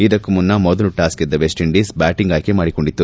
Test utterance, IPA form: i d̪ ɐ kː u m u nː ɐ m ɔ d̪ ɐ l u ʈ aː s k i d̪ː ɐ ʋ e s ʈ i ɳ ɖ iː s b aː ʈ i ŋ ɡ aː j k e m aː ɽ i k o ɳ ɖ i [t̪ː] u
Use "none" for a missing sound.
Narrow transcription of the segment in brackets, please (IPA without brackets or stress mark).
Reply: t̪ː